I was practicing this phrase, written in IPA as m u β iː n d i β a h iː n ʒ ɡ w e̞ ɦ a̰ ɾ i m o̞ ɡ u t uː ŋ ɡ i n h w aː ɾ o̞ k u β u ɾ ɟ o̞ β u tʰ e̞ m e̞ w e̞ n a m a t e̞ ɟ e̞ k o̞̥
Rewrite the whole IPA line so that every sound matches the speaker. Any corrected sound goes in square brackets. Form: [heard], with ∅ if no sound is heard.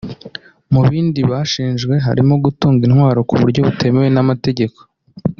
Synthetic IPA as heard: m u β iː n d i β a [ʃ] iː n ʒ ɡ w e̞ ɦ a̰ ɾ i m o̞ ɡ u t uː ŋ ɡ i n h w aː ɾ o̞ k u β u ɾ ɟ o̞ β u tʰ e̞ m e̞ w e̞ n a m a t e̞ ɟ e̞ k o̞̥

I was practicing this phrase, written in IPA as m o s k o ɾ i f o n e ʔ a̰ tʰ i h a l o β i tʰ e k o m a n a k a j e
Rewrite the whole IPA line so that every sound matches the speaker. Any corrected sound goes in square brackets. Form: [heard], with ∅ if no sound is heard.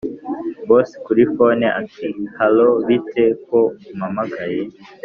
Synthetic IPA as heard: [b] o s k [u] ɾ i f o n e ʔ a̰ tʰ i h a l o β i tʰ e k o m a [m] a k a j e

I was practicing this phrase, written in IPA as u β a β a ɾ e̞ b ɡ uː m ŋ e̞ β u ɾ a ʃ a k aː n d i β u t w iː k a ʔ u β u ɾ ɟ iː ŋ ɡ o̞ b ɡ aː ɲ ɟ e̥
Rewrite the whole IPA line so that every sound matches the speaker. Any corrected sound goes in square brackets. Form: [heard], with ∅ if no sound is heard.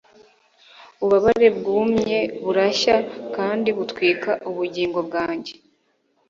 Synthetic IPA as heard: u β a β a ɾ e̞ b ɡ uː m [ɲ] e̞ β u ɾ a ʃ a k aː n d i β u t w iː k a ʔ u β u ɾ ɟ iː ŋ ɡ o̞ b ɡ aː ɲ ɟ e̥

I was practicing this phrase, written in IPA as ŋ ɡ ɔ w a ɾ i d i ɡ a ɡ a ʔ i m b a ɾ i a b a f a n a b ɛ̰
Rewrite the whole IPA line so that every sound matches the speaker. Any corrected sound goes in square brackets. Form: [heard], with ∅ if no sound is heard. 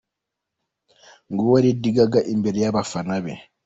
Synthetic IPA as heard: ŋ ɡ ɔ w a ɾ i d i ɡ a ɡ a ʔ i m b [ɛ] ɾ [j] a b a f a n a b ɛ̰

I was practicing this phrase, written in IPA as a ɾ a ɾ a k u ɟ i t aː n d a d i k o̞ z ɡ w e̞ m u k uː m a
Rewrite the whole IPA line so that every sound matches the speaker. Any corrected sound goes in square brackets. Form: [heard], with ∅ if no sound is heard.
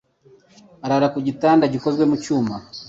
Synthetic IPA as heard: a ɾ a ɾ a k u ɟ i t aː n d a [ɟ] i k o̞ z ɡ w e̞ m u [c] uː m a

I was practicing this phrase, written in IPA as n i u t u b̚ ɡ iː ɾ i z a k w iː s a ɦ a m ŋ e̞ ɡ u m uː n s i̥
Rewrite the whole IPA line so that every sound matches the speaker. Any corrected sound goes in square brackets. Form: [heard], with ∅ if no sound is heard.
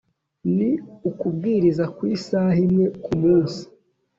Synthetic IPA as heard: n i u [k] u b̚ ɡ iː ɾ i z a k w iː s a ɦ [i] m ŋ e̞ [k] u m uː n s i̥

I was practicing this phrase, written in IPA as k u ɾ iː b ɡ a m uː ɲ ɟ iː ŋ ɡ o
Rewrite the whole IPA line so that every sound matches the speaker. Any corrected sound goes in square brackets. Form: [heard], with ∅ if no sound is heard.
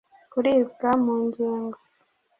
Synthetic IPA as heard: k u ɾ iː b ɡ a m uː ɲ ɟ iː ŋ ɡ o

